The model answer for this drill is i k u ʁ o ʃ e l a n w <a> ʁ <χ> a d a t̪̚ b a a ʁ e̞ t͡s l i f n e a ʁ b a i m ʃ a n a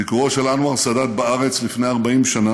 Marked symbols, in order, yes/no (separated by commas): yes, no